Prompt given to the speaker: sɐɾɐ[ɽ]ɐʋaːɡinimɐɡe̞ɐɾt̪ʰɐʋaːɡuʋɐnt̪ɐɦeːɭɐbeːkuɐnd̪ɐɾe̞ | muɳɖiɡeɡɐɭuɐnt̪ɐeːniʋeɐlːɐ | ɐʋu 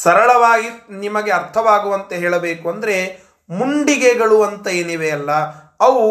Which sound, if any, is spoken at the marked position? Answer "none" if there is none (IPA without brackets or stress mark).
ɭ